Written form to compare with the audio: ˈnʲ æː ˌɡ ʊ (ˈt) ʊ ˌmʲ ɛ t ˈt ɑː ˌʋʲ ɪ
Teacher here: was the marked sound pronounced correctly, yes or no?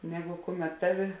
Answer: no